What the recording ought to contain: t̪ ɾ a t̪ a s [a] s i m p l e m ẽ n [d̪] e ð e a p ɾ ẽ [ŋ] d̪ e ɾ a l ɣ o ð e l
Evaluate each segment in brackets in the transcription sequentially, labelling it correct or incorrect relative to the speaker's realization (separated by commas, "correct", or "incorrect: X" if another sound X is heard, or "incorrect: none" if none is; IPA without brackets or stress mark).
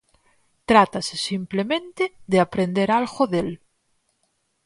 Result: incorrect: e, incorrect: t̪, incorrect: n